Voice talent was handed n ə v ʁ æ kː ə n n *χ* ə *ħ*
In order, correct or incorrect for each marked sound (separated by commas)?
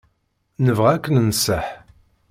incorrect, correct